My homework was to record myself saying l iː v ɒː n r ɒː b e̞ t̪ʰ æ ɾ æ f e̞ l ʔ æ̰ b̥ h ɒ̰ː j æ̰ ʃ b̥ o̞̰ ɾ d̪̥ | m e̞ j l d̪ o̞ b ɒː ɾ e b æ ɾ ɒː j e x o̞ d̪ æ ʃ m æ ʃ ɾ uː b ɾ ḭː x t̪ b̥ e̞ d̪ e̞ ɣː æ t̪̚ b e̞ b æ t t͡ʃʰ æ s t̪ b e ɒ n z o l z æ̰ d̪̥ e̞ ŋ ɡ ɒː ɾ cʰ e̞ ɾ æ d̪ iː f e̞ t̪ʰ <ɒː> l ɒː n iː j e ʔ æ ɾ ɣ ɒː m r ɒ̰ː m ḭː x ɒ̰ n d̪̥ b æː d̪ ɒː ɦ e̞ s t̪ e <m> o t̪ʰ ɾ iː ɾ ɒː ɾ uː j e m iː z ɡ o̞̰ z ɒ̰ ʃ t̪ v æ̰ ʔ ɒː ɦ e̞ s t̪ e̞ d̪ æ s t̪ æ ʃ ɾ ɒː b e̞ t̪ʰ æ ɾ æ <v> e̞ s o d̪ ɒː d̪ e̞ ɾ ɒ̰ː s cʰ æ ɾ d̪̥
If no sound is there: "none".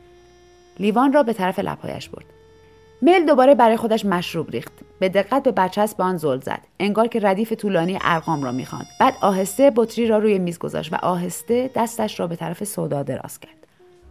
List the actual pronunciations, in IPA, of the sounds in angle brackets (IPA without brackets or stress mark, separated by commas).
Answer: uː, b, f